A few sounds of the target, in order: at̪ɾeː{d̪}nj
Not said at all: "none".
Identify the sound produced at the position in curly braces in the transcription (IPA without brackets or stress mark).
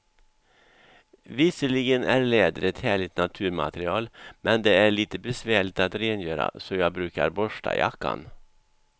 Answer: none